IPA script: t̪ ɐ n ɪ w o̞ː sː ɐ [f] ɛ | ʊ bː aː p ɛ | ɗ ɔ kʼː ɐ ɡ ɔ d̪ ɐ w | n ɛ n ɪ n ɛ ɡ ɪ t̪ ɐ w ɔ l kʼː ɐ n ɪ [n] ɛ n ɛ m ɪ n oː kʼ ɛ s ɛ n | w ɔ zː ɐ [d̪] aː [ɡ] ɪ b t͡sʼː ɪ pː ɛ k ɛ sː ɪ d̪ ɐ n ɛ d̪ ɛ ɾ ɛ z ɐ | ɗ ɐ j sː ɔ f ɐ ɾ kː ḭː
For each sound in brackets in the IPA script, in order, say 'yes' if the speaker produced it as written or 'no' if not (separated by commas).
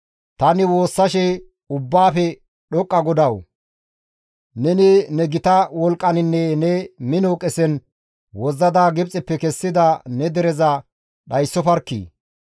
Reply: no, no, yes, yes